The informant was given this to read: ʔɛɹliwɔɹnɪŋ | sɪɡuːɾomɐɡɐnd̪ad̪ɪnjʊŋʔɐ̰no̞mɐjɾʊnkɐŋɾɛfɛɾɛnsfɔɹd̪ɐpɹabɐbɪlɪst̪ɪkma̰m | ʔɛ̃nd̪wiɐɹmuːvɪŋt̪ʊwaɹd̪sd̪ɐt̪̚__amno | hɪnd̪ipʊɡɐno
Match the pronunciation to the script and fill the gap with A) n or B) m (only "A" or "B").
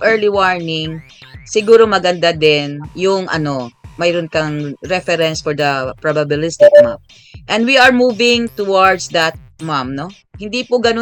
B